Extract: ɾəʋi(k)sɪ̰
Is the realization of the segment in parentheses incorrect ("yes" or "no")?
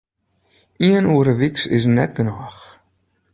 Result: no